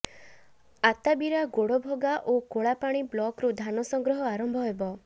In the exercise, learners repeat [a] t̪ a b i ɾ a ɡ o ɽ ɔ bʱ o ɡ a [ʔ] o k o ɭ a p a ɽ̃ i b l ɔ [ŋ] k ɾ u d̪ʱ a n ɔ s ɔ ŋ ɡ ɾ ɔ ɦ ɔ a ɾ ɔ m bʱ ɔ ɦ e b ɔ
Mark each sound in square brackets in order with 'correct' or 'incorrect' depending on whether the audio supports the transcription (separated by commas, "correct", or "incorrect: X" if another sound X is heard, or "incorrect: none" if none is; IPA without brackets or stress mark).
correct, correct, incorrect: none